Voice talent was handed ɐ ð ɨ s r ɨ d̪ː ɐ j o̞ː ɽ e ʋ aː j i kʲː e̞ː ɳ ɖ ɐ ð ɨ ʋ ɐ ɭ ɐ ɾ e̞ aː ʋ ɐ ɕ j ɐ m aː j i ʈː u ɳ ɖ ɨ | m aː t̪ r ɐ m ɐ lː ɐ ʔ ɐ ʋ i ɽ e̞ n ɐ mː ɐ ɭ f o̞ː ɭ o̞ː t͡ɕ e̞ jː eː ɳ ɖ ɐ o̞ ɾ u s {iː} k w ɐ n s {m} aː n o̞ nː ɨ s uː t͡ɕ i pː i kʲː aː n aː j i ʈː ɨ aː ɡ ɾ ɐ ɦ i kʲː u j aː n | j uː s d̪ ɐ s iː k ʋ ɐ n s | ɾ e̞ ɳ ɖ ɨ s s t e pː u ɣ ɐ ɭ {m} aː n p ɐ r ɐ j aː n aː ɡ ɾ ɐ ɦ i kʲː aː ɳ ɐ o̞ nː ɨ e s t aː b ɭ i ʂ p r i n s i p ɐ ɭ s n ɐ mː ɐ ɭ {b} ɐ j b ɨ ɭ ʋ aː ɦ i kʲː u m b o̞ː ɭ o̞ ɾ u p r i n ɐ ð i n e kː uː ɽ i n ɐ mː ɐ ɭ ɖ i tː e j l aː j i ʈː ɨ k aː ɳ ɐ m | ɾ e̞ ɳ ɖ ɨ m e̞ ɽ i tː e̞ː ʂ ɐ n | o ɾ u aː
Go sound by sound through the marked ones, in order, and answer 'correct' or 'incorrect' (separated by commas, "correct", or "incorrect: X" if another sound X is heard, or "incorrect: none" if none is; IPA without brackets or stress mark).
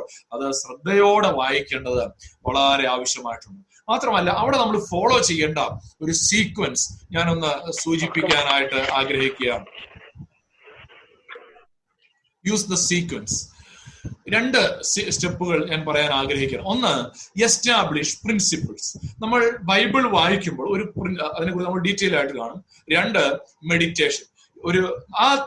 correct, incorrect: ɲ, incorrect: ɲ, correct